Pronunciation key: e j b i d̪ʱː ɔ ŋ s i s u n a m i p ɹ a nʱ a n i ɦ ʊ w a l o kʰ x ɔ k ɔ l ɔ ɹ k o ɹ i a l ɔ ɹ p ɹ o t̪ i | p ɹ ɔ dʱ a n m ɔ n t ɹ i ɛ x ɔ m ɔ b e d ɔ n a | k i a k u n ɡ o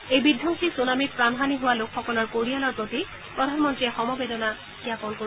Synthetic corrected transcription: e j b i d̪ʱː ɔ ŋ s i s u n a m i p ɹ a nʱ a n i ɦ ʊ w a l o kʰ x ɔ k ɔ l ɔ ɹ k o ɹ i a l ɔ ɹ p ɹ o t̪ i | p ɹ ɔ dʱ a n m ɔ n t ɹ i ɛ x ɔ m ɔ b e d ɔ n a | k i a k ɔ n k o